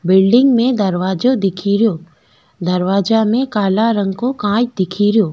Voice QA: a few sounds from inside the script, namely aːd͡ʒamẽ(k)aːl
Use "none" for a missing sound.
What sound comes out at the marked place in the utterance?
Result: k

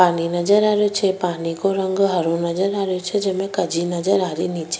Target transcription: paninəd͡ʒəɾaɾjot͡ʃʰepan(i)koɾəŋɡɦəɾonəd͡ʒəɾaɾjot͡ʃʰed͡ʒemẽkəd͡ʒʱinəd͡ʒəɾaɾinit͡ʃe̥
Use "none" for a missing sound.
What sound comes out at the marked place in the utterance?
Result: i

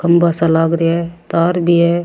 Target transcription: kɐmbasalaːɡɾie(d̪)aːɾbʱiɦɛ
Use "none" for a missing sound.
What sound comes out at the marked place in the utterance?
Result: t̪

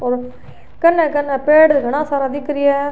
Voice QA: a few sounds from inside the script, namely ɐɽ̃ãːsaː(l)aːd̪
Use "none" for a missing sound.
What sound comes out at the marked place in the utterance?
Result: ɾ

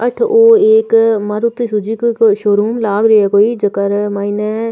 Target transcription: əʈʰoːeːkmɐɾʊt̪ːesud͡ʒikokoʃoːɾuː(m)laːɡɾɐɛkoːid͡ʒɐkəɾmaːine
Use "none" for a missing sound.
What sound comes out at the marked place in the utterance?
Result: m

